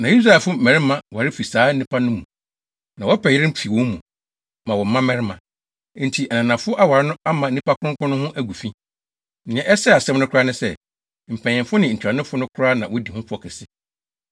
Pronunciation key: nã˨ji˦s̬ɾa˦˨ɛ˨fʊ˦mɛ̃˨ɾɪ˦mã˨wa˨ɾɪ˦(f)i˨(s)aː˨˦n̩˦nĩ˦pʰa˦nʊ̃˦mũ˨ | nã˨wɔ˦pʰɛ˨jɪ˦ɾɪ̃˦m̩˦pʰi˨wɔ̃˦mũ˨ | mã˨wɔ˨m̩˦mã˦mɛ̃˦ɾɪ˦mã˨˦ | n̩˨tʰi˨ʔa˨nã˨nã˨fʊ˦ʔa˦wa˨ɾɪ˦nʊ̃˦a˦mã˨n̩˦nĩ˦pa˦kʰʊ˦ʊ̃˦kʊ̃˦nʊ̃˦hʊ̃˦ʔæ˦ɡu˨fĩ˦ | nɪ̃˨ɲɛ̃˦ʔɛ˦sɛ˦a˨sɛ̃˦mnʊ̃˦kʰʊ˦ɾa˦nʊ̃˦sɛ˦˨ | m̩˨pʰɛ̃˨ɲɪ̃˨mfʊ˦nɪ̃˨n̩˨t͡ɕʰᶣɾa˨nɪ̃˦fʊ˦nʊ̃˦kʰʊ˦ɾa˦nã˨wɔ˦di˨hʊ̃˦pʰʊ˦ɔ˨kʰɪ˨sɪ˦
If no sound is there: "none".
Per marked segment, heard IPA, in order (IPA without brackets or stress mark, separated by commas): f, s